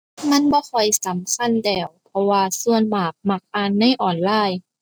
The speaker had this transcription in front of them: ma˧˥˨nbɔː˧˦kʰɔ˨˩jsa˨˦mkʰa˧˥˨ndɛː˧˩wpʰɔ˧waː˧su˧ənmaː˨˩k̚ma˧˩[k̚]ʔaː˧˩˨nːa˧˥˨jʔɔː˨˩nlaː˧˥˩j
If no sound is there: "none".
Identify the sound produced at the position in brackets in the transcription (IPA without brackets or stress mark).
k̚